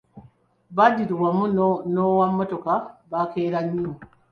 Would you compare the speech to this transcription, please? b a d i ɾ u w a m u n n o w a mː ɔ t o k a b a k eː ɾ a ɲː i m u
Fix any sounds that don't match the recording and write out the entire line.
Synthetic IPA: b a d i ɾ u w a m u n n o w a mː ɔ t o k a b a k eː ɾ a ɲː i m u